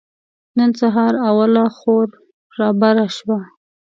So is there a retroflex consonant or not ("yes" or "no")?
no